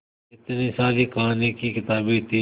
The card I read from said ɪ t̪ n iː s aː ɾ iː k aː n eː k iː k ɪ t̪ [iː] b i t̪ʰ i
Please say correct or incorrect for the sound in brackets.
incorrect